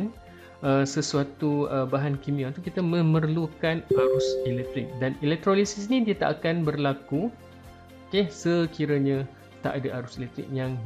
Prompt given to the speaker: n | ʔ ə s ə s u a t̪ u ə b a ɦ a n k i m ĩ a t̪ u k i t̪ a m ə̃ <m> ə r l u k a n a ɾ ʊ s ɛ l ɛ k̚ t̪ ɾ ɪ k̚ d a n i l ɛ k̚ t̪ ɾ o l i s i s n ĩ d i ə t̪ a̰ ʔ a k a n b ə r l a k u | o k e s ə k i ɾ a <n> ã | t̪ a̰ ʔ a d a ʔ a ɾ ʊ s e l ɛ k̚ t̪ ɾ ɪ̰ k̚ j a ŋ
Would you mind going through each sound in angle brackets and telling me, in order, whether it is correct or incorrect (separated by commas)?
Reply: correct, incorrect